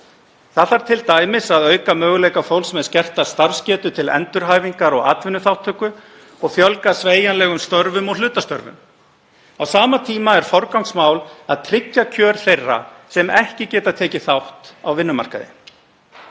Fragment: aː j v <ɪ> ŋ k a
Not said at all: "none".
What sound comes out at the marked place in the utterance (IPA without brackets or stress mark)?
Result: i